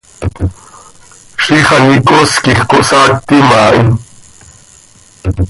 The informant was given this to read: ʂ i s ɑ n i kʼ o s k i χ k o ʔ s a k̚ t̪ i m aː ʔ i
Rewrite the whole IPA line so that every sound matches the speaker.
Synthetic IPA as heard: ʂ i χ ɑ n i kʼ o s k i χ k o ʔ s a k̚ t̪ i m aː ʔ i